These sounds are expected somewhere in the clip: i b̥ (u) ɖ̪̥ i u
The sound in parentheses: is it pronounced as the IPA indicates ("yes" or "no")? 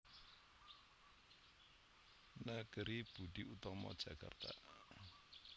yes